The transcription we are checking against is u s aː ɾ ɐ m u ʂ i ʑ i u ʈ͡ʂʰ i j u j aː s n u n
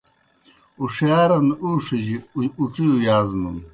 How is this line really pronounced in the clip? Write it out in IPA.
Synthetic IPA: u ʂ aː ɾ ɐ n u ʂ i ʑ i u ʈ͡ʂ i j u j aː z n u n